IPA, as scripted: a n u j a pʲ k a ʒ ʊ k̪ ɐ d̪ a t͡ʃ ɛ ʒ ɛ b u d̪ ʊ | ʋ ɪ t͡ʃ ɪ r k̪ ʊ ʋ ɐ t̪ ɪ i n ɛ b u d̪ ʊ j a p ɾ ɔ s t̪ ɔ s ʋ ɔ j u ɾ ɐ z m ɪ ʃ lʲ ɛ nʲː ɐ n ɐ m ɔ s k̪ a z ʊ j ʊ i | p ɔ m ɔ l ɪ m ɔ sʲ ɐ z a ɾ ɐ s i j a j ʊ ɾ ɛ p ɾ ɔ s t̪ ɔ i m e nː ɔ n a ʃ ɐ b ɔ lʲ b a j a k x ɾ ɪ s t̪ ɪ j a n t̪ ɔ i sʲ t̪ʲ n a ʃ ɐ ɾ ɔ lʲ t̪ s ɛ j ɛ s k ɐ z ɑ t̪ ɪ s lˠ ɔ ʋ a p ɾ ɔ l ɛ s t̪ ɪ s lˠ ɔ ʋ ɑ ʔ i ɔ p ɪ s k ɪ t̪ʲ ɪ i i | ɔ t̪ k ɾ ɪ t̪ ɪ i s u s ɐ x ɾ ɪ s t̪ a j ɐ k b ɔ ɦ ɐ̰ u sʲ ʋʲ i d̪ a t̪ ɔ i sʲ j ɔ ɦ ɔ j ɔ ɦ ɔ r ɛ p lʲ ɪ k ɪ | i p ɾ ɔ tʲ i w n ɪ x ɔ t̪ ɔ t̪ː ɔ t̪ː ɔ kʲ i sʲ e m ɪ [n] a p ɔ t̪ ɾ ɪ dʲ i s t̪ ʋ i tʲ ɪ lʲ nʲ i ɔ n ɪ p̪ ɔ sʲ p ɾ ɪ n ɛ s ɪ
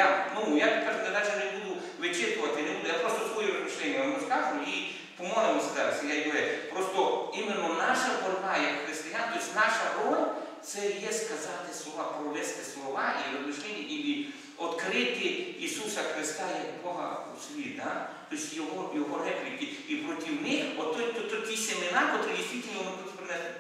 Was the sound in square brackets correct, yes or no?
yes